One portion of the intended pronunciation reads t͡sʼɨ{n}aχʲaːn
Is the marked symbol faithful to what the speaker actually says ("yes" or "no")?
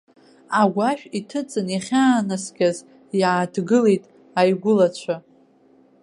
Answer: yes